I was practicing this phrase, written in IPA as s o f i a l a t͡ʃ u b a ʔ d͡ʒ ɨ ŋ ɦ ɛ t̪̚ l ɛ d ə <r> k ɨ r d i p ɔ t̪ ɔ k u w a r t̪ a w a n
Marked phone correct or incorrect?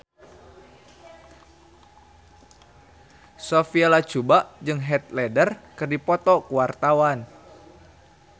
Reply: correct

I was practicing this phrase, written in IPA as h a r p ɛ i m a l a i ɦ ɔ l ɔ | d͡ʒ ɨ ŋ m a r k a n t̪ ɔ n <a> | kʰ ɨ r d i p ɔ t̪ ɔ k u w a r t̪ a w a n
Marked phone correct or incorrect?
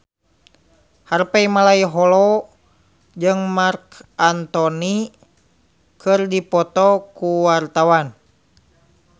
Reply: incorrect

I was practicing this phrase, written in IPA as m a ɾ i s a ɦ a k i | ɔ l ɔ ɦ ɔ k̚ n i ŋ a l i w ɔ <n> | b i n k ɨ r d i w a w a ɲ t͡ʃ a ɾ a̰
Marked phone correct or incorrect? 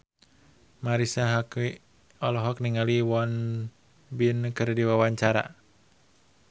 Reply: correct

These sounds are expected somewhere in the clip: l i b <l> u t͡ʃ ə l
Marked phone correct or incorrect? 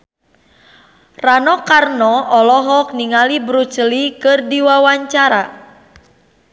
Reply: incorrect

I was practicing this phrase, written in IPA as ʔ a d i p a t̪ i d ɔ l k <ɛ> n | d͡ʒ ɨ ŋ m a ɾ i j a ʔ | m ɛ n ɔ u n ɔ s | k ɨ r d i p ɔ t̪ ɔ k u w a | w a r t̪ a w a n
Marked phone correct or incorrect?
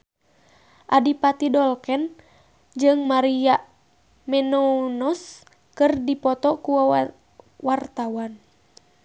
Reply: correct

